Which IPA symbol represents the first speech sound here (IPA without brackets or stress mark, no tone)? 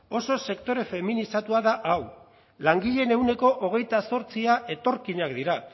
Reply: o̞